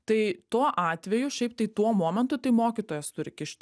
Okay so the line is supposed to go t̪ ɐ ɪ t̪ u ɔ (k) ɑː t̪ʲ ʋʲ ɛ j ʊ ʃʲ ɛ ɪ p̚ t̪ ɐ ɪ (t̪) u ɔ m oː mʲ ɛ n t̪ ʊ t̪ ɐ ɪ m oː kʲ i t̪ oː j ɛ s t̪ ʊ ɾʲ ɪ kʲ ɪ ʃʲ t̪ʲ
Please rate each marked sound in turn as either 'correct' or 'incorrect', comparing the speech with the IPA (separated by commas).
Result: incorrect, correct